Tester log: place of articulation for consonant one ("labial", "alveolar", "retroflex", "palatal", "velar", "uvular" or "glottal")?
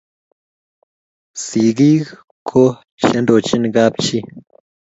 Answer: alveolar